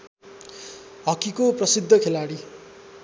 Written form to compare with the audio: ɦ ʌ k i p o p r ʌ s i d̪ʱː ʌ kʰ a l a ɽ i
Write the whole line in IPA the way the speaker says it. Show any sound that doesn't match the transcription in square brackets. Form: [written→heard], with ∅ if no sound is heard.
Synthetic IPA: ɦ ʌ k i [p→k] o p r ʌ s i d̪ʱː ʌ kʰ [a→e] l a ɽ i